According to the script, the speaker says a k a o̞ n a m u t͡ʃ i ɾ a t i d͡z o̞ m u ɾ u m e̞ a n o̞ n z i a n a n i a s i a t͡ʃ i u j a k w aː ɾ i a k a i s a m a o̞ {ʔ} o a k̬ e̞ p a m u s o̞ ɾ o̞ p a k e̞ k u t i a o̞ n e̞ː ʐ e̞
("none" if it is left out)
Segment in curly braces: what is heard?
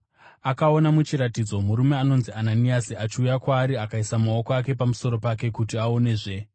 k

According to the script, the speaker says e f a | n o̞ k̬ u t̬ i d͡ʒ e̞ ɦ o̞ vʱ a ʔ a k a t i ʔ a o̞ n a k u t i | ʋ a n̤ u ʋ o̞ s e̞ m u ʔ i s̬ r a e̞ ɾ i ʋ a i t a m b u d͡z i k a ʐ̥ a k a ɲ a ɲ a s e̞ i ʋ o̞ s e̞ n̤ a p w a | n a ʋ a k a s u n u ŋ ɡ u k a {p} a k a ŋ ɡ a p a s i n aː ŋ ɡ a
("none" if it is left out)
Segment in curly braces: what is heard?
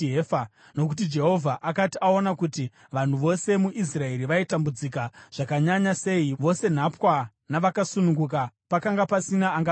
p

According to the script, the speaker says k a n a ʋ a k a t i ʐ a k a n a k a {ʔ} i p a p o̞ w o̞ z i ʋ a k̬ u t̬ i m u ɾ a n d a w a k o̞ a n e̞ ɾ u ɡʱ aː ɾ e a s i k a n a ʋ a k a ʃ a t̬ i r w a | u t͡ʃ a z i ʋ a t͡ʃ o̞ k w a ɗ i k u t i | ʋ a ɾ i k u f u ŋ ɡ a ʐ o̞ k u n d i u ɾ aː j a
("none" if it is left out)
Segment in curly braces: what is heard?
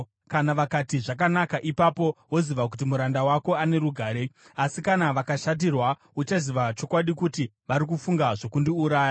ʔ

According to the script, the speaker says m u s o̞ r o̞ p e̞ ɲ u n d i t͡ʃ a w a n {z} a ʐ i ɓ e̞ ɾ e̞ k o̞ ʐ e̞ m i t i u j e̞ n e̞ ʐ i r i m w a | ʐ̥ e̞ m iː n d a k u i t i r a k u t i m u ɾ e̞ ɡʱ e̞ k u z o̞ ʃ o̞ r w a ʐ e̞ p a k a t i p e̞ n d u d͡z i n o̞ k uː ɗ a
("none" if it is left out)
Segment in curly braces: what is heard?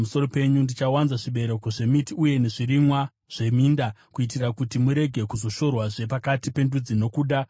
z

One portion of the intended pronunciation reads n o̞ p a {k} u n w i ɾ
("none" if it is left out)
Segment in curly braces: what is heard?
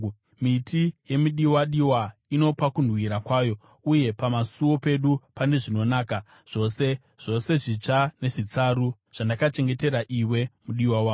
k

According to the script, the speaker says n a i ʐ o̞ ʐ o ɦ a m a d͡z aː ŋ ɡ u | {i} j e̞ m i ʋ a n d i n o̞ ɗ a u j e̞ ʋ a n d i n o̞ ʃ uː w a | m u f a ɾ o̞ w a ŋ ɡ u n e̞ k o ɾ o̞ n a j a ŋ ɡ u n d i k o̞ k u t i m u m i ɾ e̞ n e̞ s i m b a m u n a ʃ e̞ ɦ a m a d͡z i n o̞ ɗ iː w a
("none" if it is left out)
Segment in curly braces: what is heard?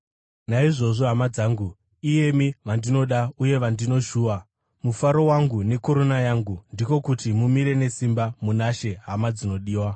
i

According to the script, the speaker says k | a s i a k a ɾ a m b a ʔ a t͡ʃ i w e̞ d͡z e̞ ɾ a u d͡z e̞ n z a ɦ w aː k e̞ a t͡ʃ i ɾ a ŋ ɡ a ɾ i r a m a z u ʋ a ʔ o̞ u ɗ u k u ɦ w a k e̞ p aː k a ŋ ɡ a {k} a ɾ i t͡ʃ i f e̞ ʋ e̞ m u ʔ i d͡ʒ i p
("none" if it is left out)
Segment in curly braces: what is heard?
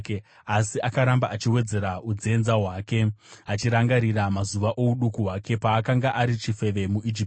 ʔ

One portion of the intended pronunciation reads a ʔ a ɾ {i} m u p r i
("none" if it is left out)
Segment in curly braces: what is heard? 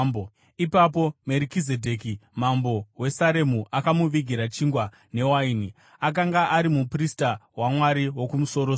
i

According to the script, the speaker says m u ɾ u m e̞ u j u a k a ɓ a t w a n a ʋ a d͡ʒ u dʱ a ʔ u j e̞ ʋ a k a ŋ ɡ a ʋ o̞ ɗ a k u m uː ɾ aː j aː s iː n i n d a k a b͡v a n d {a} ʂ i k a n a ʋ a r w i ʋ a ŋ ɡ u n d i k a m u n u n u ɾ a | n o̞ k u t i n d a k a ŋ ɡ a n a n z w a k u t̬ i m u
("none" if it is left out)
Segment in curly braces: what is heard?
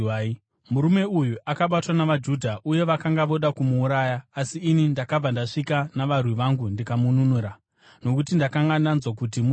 a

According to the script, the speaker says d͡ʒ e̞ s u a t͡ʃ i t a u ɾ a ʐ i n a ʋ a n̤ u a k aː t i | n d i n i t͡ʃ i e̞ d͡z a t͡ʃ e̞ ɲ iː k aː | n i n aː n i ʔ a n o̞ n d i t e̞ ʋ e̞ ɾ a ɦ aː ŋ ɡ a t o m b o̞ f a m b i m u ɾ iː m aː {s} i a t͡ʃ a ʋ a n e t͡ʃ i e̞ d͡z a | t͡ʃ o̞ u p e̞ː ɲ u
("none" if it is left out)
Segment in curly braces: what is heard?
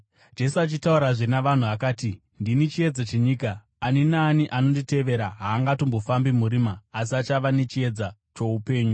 s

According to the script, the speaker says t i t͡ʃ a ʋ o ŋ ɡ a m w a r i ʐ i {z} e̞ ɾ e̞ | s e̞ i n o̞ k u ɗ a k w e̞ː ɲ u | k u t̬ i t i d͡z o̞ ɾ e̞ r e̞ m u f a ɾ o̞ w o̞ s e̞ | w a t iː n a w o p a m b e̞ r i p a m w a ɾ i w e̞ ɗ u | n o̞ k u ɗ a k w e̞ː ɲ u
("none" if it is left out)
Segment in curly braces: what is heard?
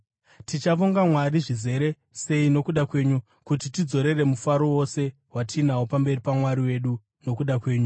z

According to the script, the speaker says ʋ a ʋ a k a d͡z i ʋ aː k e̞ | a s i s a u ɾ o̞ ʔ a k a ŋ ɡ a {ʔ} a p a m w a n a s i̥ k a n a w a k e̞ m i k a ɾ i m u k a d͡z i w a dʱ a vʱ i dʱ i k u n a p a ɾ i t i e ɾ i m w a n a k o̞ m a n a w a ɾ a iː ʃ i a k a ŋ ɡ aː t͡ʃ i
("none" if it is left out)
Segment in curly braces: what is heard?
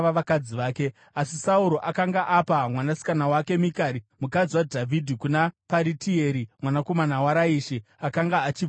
ʔ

